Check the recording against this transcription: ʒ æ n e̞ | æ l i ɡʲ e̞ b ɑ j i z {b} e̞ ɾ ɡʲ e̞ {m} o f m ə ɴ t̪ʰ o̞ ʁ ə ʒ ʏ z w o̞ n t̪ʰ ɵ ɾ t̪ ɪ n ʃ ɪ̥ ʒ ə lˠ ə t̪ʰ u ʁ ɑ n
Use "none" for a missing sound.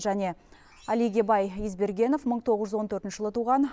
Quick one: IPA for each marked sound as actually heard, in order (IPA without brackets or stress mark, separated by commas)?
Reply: b, n